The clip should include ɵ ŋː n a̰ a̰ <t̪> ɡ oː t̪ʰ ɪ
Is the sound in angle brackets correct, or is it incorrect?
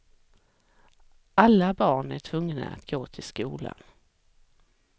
correct